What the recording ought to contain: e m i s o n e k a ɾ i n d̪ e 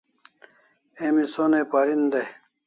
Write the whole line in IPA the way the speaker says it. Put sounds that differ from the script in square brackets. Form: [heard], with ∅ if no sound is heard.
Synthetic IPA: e m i s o n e [p] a ɾ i n d̪ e